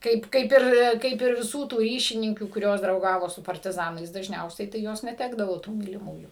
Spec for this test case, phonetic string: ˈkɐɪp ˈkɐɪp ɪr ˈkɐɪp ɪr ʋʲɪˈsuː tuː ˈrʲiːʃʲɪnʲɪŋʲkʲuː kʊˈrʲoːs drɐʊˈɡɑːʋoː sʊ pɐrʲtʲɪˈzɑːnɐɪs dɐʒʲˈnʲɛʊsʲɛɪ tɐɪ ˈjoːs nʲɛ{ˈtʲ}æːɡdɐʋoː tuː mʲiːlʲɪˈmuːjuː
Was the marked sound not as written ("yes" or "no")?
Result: no